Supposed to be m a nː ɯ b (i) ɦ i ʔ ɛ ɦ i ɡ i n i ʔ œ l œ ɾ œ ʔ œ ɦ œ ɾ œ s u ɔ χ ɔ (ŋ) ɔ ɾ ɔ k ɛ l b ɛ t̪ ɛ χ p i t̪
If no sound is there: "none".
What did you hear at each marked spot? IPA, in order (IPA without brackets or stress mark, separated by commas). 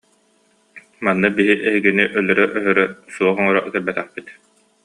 i, ŋ